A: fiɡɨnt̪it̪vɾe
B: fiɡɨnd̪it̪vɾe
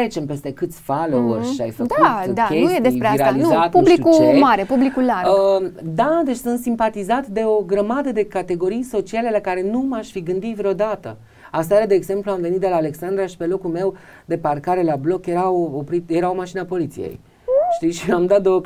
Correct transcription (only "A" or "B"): B